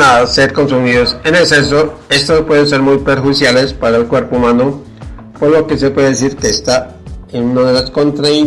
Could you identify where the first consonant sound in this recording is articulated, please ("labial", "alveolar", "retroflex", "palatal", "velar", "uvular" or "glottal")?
alveolar